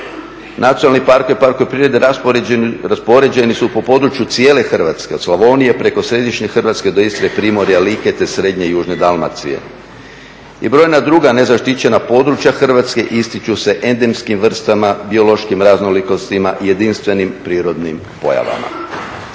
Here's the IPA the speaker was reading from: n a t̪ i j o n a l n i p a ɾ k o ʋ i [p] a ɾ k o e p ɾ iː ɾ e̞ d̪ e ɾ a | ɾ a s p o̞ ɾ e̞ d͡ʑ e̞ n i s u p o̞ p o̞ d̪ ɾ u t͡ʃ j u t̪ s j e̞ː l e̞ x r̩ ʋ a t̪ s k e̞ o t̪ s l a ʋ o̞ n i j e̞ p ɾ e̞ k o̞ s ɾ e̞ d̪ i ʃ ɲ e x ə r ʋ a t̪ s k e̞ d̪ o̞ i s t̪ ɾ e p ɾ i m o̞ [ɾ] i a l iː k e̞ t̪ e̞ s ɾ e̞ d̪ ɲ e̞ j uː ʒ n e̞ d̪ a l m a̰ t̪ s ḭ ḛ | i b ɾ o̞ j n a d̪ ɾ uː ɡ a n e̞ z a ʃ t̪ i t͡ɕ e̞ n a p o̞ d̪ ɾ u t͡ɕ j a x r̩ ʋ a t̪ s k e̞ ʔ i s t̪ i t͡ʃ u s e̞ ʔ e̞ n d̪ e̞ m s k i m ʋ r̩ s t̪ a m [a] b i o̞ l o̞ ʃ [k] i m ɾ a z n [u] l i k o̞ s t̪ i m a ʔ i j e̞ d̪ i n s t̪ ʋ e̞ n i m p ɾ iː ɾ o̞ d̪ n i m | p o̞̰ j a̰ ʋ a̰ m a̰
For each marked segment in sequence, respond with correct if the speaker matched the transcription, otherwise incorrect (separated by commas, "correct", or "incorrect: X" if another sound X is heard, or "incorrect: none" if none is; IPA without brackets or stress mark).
correct, correct, correct, correct, incorrect: o